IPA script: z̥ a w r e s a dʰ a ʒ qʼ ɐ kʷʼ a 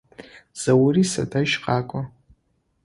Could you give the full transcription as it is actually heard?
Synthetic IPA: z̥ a w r i s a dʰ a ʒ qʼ a kʷʼ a